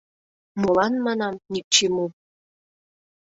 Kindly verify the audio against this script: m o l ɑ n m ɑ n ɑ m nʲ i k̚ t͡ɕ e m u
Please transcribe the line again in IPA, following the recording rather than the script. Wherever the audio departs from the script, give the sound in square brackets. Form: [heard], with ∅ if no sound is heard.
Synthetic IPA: m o l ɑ n m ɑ n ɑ m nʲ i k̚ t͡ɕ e m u